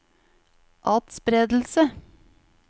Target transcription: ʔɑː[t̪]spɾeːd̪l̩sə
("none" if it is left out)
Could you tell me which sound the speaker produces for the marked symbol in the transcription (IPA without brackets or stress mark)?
t̪